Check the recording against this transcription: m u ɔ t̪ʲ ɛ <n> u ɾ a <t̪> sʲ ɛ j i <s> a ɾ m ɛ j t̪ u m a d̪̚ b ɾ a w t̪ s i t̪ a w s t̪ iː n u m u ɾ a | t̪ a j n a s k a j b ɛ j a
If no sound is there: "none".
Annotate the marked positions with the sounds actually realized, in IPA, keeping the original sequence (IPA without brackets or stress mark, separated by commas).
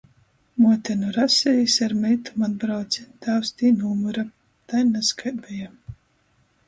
n, none, s